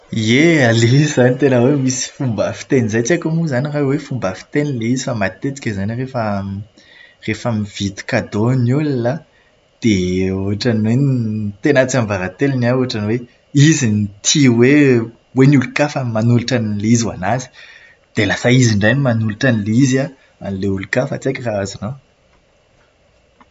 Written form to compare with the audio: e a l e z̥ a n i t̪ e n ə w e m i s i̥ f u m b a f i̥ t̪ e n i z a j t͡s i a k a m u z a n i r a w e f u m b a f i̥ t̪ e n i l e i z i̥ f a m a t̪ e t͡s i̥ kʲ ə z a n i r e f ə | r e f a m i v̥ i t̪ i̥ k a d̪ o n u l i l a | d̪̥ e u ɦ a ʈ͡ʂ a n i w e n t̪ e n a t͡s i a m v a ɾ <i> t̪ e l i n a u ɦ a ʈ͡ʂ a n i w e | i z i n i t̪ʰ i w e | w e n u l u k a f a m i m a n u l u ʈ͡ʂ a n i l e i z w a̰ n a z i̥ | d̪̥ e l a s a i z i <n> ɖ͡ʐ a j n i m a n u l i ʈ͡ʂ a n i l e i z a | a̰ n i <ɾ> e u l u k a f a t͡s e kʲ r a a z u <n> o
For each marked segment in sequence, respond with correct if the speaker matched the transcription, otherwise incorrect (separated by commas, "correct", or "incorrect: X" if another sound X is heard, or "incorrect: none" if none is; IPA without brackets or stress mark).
incorrect: a, incorrect: ɳ, incorrect: l, correct